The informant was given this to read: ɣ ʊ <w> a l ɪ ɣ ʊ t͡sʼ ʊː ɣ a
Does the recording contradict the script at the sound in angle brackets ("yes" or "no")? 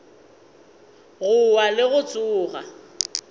no